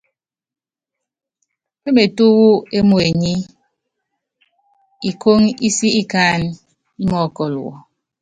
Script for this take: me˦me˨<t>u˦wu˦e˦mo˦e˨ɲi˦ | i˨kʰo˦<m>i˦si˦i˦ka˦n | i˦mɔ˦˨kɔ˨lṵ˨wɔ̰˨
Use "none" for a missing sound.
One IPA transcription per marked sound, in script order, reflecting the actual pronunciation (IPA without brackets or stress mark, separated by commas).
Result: t, ŋ